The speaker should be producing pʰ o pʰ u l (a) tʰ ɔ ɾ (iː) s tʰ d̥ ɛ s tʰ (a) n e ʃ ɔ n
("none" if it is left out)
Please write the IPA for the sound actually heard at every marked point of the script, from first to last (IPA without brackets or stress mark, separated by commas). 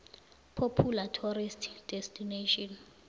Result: a, i, i